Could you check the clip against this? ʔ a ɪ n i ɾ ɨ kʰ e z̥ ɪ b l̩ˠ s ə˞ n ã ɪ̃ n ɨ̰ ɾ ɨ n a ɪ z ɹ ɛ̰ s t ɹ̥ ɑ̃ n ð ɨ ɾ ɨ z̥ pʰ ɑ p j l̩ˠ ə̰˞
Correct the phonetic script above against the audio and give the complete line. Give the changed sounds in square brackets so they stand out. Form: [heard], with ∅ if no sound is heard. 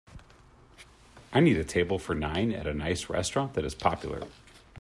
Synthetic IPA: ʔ a ɪ n i ɾ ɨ [tʰ] e [∅] ɪ b l̩ˠ [f] ə˞ n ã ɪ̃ n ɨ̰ ɾ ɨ n a ɪ [s] ɹ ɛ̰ s t ɹ̥ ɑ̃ n ð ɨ ɾ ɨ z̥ pʰ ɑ p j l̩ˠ ə̰˞